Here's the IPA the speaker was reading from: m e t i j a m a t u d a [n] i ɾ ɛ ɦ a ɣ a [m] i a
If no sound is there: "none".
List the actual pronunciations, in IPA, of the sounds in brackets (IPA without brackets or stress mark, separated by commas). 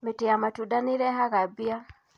n, b